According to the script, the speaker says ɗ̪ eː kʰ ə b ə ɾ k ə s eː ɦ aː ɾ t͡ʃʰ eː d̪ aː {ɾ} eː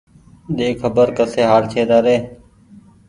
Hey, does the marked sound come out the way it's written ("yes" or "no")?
yes